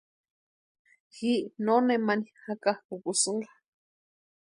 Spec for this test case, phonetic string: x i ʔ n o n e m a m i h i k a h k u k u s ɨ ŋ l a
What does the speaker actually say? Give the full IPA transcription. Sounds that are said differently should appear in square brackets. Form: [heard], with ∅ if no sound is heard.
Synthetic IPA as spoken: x i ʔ n o n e m a [n] i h [a] k a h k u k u s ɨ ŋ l a